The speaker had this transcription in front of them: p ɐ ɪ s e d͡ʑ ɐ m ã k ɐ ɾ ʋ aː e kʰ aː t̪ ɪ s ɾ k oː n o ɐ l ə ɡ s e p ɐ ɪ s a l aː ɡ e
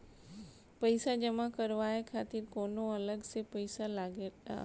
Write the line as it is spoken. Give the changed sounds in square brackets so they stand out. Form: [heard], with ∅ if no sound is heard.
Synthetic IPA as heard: p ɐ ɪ s [a] d͡ʑ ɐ m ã k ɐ ɾ ʋ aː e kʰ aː t̪ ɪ [∅] ɾ k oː n o ɐ l ə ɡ s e p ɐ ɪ s a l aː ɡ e

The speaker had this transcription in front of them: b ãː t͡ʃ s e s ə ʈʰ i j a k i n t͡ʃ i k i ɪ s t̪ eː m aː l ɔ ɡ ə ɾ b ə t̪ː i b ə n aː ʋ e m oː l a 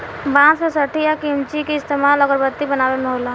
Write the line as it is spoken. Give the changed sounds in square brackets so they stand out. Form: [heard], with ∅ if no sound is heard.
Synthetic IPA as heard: b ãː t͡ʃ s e s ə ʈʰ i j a k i [m] t͡ʃ i k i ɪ s t̪ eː m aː l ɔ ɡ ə ɾ b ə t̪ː i b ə n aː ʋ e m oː l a

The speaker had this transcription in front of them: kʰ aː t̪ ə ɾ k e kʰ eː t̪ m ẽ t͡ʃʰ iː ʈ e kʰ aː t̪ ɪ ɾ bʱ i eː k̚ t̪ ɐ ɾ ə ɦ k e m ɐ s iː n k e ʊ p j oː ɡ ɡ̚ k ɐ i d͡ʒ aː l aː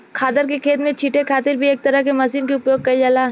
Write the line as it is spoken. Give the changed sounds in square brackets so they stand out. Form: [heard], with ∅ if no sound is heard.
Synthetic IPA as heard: kʰ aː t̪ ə ɾ k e kʰ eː t̪ m ẽ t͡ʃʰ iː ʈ e kʰ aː t̪ ɪ ɾ bʱ i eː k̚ t̪ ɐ ɾ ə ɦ k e m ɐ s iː n k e ʊ p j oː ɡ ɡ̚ k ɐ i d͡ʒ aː l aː

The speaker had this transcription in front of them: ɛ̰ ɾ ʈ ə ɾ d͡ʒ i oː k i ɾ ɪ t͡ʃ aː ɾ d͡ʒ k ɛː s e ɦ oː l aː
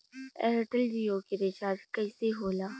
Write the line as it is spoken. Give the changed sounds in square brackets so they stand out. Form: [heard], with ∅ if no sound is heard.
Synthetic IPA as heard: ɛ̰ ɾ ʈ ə [l] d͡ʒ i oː k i ɾ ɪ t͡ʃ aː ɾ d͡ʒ k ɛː s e ɦ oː l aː

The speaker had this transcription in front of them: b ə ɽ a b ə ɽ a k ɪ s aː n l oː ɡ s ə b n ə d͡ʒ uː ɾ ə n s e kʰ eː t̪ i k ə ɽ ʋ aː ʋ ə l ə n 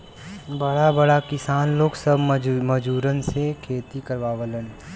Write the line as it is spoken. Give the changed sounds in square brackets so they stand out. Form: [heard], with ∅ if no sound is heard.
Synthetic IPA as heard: b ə ɽ a b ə ɽ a k ɪ s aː n l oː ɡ s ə b [m] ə d͡ʒ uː ɾ ə n s e kʰ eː t̪ i k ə [ɾ] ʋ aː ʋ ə l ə n

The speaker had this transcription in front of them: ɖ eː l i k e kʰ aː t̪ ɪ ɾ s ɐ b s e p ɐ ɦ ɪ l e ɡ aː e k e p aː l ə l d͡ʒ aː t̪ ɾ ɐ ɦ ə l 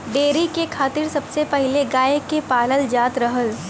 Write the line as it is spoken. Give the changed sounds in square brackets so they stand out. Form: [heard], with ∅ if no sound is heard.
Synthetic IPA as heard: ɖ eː [ɾ] i k e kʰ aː t̪ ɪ ɾ s ɐ b s e p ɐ ɦ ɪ l e ɡ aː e k e p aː l ə l d͡ʒ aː t̪ ɾ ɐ ɦ ə l

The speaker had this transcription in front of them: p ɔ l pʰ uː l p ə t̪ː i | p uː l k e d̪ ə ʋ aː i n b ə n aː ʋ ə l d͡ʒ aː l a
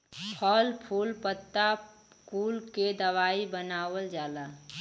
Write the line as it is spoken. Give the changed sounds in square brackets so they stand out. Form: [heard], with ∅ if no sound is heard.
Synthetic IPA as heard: [pʰ] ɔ l pʰ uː l p ə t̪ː [a] | [k] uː l k e d̪ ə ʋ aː i [∅] b ə n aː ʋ ə l d͡ʒ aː l a

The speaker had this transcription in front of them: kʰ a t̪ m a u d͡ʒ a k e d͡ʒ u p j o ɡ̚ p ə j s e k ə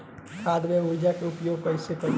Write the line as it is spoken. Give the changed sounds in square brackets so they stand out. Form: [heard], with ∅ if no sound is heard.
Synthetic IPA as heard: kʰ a [d̪] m [e] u d͡ʒ a k e [∅] u p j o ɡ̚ p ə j s e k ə

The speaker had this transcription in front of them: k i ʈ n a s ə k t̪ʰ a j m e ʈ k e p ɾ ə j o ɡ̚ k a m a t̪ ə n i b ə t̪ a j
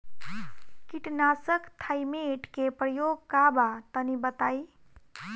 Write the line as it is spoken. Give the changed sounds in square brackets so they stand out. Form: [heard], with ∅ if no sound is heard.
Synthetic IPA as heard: k i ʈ n a s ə k t̪ʰ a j m e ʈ k e p ɾ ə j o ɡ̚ k a [b] a t̪ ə n i b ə t̪ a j

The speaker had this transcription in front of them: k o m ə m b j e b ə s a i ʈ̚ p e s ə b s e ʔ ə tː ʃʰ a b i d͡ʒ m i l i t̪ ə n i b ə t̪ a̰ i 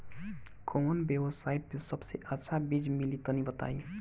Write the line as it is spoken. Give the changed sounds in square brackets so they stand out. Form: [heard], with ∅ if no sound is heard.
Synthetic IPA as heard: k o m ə [n] b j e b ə s a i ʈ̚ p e s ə b s e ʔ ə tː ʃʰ a b i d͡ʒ m i l i t̪ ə n i b ə t̪ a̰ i

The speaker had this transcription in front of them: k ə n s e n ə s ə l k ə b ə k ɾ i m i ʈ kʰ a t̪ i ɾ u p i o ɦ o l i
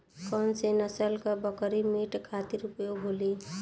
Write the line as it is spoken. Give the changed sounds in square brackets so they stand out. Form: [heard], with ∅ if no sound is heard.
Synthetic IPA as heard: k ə n s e n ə s ə l k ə b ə k ɾ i m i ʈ kʰ a t̪ i ɾ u p [j] o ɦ o l i

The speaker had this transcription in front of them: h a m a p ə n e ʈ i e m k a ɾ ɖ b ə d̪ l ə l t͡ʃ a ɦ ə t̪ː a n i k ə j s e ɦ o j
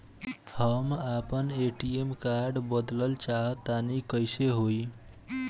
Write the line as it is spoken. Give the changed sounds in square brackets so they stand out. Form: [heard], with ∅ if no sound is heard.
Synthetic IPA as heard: h [ə] m a p ə n e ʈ i e m k a ɾ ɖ b ə d̪ l ə l t͡ʃ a ɦ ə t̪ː a n i k ə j s e ɦ o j

